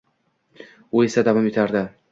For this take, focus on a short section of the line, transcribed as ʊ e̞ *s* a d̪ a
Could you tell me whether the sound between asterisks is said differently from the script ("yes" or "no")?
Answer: no